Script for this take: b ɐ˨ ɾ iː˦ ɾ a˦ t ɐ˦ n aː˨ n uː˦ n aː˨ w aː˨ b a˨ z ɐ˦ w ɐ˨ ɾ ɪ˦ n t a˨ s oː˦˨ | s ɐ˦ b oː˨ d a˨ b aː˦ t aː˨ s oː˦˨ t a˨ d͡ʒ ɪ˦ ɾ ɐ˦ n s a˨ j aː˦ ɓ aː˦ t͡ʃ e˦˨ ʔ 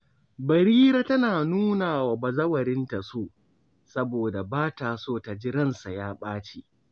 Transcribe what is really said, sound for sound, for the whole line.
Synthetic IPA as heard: b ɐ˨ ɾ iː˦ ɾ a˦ t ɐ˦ n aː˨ n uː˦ n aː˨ w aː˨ b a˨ z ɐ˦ w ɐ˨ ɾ ɪ˦ n t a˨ s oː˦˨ | s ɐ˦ b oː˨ d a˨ b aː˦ t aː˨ s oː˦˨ t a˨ d͡ʒ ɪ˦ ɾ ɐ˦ n s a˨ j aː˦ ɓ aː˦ t͡ʃ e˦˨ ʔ